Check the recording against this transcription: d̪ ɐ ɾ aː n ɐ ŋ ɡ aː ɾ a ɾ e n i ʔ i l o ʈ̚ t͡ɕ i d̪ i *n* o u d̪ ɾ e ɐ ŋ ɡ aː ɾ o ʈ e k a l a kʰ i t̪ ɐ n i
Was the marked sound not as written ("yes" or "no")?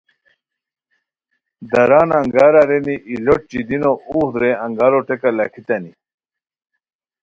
no